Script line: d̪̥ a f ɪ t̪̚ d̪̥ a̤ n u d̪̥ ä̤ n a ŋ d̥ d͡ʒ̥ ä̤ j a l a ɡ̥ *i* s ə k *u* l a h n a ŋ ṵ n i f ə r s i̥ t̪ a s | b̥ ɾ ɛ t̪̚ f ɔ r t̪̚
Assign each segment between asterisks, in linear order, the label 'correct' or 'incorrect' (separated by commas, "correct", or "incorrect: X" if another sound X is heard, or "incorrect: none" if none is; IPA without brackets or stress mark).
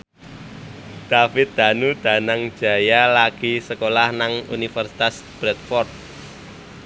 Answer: correct, incorrect: o